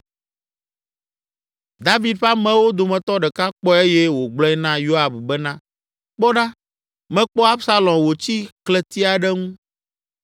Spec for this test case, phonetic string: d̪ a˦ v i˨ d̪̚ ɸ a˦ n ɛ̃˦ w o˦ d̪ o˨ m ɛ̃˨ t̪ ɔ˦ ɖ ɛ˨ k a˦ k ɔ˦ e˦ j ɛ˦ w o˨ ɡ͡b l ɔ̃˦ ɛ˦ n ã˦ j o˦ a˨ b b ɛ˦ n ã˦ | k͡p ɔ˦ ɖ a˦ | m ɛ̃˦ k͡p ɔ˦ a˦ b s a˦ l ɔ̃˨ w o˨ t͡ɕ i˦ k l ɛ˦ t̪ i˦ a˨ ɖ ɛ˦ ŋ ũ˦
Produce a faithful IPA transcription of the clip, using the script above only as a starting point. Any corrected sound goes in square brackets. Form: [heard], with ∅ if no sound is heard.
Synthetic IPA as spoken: d̪ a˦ v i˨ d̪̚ ɸ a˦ [m] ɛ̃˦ w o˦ d̪ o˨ m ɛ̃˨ t̪ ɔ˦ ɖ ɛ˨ k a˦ [k͡p] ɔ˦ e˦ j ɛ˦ w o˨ ɡ͡b l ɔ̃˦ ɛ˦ n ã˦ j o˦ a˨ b b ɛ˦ n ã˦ | k͡p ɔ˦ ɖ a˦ | m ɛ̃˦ k͡p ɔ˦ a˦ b s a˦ l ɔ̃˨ w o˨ t͡ɕ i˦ k l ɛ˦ t̪ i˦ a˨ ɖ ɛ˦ ŋ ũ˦

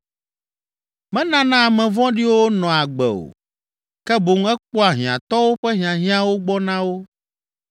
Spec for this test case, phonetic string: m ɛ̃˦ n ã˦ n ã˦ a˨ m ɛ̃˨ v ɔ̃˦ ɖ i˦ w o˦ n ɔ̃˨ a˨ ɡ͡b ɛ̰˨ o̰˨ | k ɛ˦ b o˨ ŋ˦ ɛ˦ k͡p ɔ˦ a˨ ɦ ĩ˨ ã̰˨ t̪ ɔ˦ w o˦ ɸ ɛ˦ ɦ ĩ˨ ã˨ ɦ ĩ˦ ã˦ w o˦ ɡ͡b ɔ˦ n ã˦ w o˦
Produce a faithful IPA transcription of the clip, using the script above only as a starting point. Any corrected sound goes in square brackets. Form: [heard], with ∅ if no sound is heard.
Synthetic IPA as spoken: m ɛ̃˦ n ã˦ n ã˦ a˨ m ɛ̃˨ v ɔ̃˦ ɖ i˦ w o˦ n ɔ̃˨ a˨ ɡ͡b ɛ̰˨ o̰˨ | k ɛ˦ b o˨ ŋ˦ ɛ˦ k͡p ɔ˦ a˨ ɦ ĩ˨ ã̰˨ t̪ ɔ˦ w o˦ ɸ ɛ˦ ɦ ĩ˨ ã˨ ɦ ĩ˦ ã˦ w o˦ ɡ͡b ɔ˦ n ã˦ w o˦

